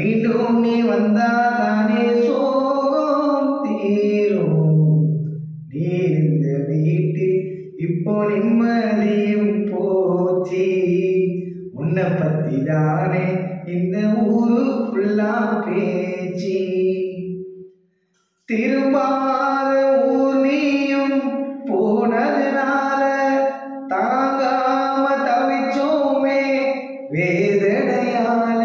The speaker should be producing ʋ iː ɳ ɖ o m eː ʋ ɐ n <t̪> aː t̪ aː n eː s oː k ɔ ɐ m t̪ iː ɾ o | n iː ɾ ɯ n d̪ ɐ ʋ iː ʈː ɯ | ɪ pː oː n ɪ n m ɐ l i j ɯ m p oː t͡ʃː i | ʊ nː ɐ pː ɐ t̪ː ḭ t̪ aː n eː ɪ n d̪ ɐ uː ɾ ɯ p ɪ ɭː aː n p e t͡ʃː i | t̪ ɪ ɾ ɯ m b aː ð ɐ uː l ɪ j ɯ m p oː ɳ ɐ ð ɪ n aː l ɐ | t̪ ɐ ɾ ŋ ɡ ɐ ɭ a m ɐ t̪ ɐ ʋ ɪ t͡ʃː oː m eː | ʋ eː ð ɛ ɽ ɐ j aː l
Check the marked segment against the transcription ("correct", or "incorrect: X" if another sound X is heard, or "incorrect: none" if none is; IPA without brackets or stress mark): incorrect: d̪